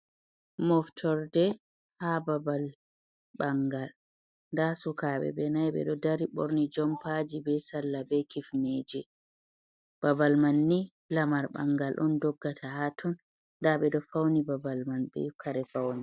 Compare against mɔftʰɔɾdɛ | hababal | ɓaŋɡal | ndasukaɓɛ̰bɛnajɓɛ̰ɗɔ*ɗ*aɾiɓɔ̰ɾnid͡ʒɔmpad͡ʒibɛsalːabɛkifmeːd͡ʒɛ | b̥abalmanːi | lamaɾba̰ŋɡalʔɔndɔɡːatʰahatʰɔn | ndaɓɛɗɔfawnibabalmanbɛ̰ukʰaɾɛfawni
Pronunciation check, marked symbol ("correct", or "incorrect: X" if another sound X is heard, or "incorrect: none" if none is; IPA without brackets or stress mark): incorrect: d